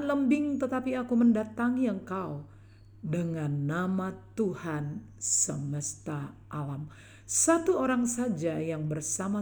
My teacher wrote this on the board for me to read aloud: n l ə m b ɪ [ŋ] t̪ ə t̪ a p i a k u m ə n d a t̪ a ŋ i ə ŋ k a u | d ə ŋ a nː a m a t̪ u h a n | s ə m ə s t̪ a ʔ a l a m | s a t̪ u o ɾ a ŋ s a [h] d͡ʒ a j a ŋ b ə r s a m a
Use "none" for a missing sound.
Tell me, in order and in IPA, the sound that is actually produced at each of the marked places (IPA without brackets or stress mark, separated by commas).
ŋ, none